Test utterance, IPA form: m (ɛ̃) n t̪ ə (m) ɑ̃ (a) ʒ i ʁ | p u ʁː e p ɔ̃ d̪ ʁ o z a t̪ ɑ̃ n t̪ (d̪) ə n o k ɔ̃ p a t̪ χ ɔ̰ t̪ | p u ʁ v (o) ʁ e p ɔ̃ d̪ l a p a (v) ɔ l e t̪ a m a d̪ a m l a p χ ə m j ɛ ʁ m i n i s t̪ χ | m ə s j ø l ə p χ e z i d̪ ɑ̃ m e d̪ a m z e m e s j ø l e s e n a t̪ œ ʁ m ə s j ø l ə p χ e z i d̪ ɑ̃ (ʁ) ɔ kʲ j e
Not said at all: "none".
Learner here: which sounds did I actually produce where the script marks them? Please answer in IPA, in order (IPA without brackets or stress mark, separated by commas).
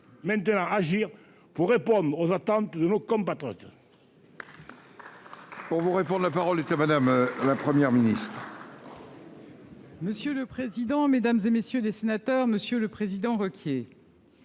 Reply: ɛ̃, n, a, d̪, u, ʁ, ʁ